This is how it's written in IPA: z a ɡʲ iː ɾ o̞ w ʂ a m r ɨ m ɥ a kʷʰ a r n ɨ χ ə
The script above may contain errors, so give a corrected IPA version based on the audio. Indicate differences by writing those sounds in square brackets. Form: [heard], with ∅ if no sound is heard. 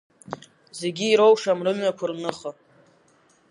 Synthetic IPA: z [e] ɡʲ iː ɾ o̞ w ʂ a m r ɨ m ɥ a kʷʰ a r n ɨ χ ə